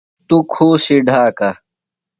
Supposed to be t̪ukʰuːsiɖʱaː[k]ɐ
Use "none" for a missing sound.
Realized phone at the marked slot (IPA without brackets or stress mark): k